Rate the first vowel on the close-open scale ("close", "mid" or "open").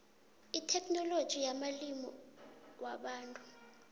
close